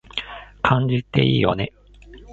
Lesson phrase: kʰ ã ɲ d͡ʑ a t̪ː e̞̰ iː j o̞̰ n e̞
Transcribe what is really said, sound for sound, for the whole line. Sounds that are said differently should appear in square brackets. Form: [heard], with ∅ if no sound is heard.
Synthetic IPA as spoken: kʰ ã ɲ d͡ʑ [i] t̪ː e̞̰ iː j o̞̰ n e̞

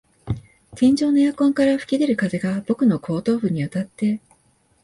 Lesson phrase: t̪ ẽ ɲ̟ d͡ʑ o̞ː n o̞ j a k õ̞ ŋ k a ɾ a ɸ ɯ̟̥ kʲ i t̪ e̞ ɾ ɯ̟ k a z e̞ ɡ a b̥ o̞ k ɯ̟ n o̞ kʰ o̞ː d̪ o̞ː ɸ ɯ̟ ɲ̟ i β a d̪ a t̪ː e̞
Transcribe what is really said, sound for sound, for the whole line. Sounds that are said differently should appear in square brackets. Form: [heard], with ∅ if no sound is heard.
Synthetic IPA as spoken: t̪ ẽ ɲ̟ d͡ʑ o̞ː n o̞ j a k õ̞ ŋ k a ɾ a ɸ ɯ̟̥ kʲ i [d̪] e̞ ɾ ɯ̟ k a z e̞ ɡ a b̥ o̞ k ɯ̟ n o̞ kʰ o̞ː [t̪] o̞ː ɸ ɯ̟ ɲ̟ i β a [t̪] a t̪ː e̞

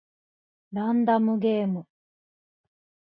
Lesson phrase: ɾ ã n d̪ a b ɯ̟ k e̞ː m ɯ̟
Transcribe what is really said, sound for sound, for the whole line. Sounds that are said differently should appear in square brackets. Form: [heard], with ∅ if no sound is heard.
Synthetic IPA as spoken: ɾ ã n d̪ a [m] ɯ̟ [ɡ] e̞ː m ɯ̟

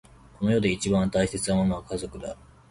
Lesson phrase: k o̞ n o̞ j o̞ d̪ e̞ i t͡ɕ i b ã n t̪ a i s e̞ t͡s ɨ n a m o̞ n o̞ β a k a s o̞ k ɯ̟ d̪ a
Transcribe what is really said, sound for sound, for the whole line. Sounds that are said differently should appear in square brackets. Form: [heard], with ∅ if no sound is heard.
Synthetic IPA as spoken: k o̞ n o̞ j o̞ d̪ e̞ i t͡ɕ i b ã n t̪ a i s e̞ t͡s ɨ n a m o̞ n o̞ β a k a [z] o̞ k ɯ̟ d̪ a

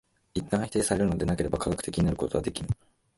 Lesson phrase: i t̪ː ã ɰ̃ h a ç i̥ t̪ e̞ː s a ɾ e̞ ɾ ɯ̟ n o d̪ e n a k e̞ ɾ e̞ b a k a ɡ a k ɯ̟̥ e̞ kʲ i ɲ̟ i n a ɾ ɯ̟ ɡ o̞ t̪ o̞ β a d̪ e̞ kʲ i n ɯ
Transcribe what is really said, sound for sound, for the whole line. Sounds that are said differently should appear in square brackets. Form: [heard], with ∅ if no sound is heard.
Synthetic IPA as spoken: i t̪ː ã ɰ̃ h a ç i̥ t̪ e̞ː s a ɾ e̞ ɾ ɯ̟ n o d̪ e n a k e̞ ɾ e̞ b a k a ɡ a k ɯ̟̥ e̞ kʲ i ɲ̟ i n a ɾ ɯ̟ [k] o̞ t̪ o̞ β a d̪ e̞ kʲ i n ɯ

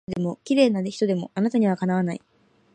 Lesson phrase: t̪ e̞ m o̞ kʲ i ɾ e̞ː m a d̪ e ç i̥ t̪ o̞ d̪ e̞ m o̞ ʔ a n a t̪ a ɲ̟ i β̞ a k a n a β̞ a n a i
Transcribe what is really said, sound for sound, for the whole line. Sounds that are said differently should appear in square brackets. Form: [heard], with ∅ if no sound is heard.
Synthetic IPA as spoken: [d̪] e̞ m o̞ kʲ i ɾ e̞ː [n] a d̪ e ç i̥ t̪ o̞ d̪ e̞ m o̞ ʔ a n a t̪ a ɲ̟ i β̞ a k a n a β̞ a n a i

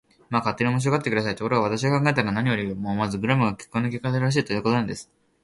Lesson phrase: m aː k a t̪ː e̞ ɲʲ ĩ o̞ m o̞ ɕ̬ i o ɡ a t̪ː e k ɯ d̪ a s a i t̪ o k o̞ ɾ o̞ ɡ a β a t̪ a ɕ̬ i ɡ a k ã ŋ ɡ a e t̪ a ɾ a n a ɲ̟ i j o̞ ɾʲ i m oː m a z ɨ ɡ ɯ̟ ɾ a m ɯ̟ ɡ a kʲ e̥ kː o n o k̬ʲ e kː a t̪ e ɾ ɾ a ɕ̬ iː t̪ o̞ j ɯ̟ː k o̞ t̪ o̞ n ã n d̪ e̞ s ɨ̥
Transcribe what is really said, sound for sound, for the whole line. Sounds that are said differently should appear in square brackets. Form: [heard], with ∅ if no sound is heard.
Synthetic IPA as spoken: m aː k a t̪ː e̞ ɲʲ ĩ o̞ m o̞ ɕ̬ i o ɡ a t̪ː e k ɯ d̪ a s a i t̪ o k o̞ ɾ o̞ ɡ a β a t̪ a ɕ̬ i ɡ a k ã ŋ ɡ a e t̪ a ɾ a n a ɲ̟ i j o̞ ɾʲ i m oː m a z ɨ ɡ ɯ̟ ɾ a m ɯ̟ ɡ a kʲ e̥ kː o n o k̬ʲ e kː a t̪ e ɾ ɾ a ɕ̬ iː t̪ o̞ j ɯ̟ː k o̞ t̪ o̞ n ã n d̪ e̞ s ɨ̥

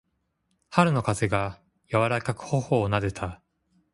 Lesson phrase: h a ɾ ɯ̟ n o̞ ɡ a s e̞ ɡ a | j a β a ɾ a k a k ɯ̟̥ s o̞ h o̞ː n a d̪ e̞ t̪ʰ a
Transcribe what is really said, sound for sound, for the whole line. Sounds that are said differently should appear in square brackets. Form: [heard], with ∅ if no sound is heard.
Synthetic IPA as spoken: h a ɾ ɯ̟ n o̞ [k] a [z] e̞ ɡ a | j a β a ɾ a k a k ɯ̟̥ [h] o̞ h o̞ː n a d̪ e̞ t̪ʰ a

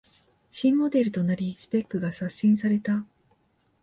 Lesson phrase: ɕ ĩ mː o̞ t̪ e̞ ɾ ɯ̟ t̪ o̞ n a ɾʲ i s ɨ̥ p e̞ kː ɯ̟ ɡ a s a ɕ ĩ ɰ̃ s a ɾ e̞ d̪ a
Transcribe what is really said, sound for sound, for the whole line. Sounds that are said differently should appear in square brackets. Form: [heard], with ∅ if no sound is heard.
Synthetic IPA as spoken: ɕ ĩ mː o̞ [d̪] e̞ ɾ ɯ̟ t̪ o̞ n a ɾʲ i s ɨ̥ p e̞ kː ɯ̟ ɡ a s a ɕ ĩ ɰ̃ s a ɾ e̞ [t̪] a

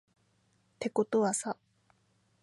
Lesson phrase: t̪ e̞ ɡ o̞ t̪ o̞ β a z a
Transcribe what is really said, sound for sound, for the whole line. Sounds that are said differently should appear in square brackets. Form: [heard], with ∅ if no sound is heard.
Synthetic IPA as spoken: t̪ e̞ [k] o̞ t̪ o̞ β a [s] a

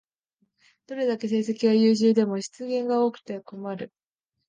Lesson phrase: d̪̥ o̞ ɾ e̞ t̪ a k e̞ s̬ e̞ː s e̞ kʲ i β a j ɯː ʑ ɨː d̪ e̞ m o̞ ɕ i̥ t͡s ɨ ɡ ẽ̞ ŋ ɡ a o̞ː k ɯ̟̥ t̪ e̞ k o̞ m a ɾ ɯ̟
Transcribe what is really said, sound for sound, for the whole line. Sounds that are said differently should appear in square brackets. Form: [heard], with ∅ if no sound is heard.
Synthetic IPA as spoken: d̪̥ o̞ ɾ e̞ [d̪] a k e̞ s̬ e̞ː s e̞ kʲ i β a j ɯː ʑ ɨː d̪ e̞ m o̞ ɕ i̥ t͡s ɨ ɡ ẽ̞ ŋ ɡ a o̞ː k ɯ̟̥ t̪ e̞ k o̞ m a ɾ ɯ̟

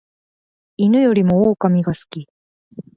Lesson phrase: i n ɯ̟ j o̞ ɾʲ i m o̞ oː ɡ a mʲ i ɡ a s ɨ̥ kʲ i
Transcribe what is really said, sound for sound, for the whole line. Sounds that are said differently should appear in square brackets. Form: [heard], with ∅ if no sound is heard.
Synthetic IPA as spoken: i n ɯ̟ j o̞ ɾʲ i m o̞ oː [k] a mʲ i ɡ a s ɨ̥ kʲ i

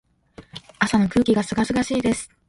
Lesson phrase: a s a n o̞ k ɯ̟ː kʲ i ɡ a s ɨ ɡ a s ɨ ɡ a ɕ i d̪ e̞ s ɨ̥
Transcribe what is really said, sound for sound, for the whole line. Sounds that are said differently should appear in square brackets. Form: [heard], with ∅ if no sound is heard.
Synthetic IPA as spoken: a s a n o̞ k ɯ̟ː kʲ i ɡ a s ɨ ɡ a s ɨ ɡ a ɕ [iː] d̪ e̞ s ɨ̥

